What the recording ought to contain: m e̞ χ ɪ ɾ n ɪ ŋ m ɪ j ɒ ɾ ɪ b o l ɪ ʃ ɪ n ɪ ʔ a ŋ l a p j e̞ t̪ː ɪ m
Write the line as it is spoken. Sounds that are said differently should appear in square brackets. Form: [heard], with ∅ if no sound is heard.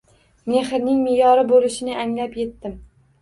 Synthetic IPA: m e̞ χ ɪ ɾ n ɪ ŋ m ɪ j ɒ ɾ ɪ b o l ɪ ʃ ɪ n ɪ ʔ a ŋ l a p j e̞ t̪ː ɪ m